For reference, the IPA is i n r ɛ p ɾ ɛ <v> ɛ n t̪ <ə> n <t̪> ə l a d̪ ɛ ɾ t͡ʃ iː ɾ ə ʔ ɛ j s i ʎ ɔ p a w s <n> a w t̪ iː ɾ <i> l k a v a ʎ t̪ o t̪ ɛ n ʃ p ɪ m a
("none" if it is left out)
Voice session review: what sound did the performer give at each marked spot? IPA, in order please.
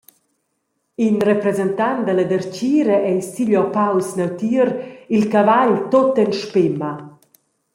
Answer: z, a, d̪, n, i

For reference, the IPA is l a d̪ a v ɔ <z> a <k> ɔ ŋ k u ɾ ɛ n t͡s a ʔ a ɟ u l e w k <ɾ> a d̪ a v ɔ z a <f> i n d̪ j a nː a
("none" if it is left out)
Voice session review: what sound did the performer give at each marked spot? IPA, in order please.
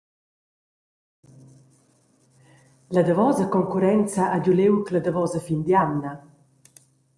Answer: z, k, l, f

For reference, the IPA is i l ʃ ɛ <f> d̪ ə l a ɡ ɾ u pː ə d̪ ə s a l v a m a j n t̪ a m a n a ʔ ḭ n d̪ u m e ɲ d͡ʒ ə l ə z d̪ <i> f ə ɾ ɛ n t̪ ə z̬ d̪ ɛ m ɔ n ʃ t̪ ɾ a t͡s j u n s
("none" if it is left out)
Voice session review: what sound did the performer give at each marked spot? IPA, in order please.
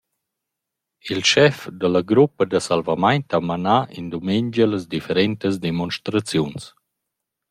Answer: f, i

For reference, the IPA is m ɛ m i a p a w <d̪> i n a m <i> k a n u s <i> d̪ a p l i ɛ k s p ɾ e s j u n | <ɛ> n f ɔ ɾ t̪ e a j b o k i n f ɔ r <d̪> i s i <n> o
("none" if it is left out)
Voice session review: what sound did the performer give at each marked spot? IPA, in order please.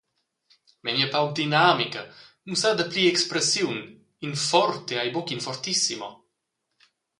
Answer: d̪, i, a, i, t̪, m

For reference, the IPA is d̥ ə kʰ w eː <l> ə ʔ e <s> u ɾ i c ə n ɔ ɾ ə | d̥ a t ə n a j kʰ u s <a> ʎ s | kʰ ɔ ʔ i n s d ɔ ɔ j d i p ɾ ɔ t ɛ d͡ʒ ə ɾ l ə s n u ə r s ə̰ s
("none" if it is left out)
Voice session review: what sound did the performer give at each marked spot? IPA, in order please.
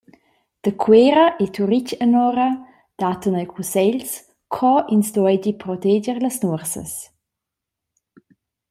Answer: ɾ, t, ɛ

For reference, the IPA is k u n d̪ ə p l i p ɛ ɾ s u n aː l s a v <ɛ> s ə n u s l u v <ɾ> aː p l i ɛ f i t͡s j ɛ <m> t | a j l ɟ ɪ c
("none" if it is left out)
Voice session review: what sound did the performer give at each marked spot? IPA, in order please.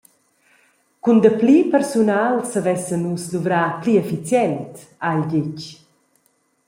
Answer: ɛ, ɾ, n

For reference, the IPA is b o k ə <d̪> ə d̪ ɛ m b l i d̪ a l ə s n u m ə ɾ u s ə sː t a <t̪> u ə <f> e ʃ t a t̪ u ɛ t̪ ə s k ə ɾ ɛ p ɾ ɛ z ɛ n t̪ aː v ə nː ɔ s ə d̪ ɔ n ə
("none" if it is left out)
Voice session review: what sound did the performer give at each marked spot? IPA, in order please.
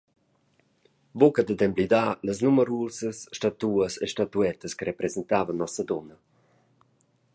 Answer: d̪, t̪, s

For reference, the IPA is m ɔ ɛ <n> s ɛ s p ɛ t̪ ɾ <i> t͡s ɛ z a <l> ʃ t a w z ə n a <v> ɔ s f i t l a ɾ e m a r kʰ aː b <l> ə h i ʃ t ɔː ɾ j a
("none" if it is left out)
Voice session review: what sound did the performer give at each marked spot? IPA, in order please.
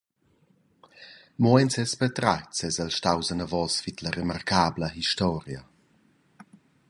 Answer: n, a, l, v, l

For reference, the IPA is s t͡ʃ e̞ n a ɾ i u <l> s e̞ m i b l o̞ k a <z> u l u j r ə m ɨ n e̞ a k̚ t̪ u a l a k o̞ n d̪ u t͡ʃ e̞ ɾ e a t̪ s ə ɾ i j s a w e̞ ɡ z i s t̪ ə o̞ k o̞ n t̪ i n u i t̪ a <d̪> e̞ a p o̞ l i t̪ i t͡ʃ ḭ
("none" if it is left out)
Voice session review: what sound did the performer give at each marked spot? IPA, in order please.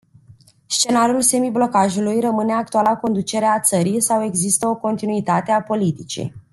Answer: l, ʒ, t̪

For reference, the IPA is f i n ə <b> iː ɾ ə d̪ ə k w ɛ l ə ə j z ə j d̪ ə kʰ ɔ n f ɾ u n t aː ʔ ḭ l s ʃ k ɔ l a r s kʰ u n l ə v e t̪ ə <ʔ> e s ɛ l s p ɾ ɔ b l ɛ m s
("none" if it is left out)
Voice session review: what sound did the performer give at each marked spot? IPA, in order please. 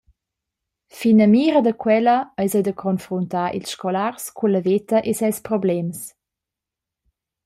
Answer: m, ʔ

